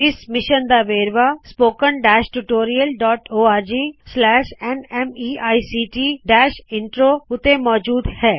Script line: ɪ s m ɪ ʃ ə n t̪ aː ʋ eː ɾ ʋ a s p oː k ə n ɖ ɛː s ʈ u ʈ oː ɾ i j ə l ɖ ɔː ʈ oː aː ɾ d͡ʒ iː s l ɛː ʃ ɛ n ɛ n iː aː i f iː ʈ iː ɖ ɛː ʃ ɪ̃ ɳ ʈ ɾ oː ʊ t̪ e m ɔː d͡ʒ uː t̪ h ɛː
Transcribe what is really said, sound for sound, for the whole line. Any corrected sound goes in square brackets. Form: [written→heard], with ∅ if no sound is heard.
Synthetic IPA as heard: ɪ s m ɪ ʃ ə n [t̪→d̪] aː ʋ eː ɾ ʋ a s p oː k ə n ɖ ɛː [s→ʃ] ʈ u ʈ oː ɾ i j ə l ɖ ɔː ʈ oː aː ɾ d͡ʒ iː s l ɛː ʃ ɛ n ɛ [n→m] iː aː i [f→s] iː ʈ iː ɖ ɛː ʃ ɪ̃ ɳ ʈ ɾ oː ʊ t̪ e m ɔː d͡ʒ uː [t̪→d̪] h ɛː